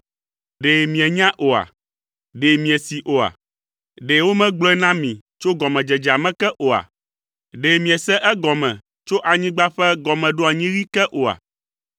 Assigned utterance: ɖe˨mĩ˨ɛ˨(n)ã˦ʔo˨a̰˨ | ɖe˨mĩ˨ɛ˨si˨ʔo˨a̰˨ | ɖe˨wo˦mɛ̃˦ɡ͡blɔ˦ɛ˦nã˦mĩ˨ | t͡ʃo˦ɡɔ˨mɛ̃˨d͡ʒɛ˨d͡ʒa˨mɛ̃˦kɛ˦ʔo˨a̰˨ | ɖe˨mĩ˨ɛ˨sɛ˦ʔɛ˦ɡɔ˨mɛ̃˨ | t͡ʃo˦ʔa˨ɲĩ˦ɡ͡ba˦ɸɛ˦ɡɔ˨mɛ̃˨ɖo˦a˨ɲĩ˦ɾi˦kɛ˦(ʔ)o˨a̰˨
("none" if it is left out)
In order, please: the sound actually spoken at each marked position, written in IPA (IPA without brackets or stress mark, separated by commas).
ɲ, ʔ